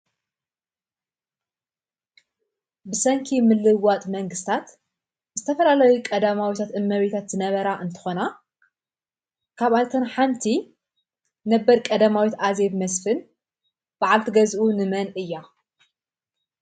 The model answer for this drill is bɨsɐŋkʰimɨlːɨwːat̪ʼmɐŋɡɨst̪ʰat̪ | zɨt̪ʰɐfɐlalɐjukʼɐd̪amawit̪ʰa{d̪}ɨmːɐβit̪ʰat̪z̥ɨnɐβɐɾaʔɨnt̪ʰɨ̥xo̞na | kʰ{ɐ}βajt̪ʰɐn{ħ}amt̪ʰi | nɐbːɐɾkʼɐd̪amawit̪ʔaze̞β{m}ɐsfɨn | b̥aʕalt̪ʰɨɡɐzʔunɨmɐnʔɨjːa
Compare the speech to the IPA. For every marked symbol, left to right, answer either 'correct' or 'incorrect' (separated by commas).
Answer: incorrect, incorrect, correct, correct